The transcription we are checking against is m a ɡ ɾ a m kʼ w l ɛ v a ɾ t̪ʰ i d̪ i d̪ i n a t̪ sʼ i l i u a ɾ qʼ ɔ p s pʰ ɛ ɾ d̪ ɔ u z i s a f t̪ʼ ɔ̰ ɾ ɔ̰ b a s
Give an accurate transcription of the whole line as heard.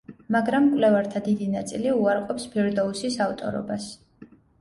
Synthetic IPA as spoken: m a ɡ ɾ a m kʼ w l ɛ v a ɾ t̪ʰ a d̪ i d̪ i n a t̪ sʼ i l i u a ɾ qʼ ɔ p s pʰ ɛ ɾ d̪ ɔ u s i s a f t̪ʼ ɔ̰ ɾ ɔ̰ b a s